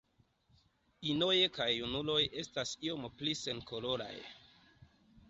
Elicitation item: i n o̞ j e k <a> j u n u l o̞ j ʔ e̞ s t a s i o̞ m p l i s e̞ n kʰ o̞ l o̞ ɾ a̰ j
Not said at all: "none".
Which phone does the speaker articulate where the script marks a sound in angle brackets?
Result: a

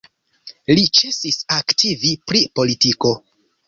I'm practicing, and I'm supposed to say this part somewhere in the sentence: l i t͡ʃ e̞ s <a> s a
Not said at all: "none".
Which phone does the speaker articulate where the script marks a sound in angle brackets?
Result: i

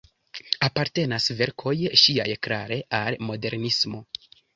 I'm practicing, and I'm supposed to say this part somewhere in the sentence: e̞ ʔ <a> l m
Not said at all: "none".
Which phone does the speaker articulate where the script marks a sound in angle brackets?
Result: a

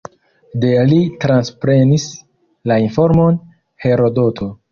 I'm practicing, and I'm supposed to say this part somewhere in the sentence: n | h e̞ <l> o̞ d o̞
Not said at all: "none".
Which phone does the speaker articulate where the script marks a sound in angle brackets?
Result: ɾ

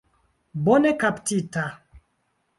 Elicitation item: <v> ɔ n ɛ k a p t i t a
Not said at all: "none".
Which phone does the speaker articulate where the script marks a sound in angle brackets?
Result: b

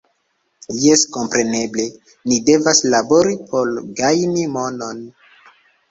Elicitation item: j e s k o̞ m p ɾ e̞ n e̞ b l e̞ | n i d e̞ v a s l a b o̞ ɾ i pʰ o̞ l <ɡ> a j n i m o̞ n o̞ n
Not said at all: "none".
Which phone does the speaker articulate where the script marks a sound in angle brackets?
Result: ɡ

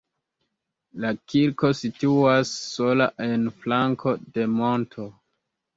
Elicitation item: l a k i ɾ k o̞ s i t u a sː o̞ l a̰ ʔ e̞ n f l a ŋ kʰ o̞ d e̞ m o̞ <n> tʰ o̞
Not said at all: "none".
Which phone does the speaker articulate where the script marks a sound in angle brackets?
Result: n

